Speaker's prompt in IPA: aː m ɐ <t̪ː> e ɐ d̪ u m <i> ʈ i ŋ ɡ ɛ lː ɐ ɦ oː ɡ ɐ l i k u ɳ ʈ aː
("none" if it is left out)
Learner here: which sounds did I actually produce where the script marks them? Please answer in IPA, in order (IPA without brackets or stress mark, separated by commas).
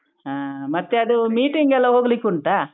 t̪ː, iː